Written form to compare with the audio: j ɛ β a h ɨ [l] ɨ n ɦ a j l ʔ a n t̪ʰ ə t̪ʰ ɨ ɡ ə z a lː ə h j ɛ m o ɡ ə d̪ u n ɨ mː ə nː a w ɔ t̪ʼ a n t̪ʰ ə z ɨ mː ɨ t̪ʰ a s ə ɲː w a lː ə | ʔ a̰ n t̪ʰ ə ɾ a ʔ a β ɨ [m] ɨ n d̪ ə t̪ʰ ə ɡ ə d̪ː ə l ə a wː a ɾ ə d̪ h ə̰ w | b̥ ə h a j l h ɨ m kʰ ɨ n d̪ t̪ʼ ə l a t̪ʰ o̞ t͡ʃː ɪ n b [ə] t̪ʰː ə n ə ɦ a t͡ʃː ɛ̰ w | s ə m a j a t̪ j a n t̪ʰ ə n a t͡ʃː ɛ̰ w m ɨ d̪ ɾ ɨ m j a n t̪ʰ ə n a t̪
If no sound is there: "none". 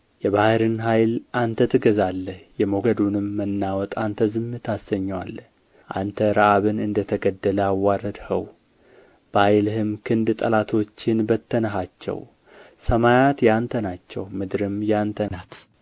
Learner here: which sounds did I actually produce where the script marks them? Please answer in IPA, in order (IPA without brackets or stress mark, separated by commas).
ɾ, n, ə